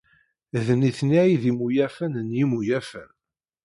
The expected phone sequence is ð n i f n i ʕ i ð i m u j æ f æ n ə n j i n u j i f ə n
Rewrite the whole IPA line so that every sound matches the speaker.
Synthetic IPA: ð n i θ n i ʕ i ð i m u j æ f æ n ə n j i m u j æ f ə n